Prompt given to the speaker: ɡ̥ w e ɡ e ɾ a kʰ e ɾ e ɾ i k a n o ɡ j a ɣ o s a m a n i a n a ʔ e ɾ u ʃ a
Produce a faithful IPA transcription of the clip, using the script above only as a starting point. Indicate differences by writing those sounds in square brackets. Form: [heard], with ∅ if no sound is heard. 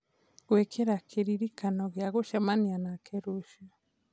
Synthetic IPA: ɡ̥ w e [k] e ɾ a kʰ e ɾ [i] ɾ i k a n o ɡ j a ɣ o [ʃ] a m a n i a n a [k] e ɾ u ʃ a